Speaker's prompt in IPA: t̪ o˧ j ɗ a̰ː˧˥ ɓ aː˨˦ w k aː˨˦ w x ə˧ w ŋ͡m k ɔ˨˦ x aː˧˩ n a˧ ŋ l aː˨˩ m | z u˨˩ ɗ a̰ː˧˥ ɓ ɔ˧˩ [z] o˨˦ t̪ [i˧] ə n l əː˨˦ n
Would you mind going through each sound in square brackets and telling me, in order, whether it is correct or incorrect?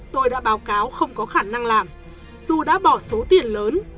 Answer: incorrect, incorrect

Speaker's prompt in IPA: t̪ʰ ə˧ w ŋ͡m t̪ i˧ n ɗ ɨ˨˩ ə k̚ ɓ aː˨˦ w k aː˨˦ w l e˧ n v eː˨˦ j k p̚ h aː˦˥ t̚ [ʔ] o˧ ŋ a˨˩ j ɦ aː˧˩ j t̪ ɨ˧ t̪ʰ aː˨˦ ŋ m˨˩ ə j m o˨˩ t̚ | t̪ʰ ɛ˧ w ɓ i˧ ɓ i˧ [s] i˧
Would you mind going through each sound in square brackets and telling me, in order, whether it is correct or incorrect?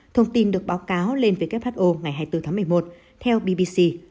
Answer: correct, correct

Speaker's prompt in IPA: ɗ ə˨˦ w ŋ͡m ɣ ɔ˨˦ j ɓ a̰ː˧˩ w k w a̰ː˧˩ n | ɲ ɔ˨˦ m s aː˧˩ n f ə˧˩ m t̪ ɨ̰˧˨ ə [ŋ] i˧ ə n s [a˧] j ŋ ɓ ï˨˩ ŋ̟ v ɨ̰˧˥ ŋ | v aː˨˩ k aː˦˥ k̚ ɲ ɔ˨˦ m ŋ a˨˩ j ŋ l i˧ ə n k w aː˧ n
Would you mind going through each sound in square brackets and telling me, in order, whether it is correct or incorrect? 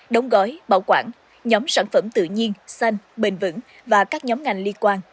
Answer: incorrect, correct

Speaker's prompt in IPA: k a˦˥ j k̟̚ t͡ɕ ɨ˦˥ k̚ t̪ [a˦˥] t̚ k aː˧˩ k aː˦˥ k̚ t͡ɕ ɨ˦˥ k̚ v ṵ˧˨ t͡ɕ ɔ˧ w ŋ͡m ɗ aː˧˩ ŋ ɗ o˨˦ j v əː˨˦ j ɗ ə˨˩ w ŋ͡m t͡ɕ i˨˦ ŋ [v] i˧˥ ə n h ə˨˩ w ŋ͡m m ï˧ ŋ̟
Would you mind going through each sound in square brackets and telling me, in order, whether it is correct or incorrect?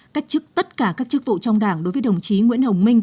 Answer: incorrect, incorrect

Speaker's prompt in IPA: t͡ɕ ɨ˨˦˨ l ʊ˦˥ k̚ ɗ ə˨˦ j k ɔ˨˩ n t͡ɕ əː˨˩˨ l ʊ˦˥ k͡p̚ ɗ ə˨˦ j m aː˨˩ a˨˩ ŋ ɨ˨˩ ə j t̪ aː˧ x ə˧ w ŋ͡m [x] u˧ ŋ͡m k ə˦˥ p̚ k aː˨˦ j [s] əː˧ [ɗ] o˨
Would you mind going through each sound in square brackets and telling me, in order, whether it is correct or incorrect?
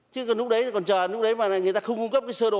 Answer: incorrect, correct, correct

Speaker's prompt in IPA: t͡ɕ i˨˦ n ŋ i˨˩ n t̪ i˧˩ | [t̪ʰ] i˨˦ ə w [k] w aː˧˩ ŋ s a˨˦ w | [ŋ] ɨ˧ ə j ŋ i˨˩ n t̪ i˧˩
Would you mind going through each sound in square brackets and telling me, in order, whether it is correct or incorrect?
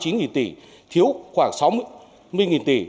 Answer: correct, incorrect, incorrect

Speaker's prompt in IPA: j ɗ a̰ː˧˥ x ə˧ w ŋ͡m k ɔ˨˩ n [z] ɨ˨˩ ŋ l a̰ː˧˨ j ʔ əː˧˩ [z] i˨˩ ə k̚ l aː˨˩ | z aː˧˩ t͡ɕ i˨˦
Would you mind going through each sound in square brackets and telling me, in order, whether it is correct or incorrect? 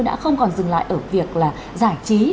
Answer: correct, incorrect

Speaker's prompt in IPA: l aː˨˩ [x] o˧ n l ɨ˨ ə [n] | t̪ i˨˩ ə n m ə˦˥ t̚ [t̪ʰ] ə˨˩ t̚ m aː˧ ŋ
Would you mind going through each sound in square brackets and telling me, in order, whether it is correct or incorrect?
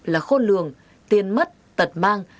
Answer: correct, incorrect, incorrect

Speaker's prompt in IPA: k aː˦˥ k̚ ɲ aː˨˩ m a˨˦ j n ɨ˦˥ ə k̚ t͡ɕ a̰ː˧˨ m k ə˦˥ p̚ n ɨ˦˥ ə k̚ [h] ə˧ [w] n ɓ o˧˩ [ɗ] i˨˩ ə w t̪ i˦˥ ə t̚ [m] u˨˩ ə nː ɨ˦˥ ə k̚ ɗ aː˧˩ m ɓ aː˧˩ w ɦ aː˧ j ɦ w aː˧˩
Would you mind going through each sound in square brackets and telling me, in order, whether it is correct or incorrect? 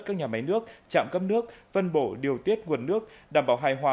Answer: incorrect, incorrect, correct, incorrect

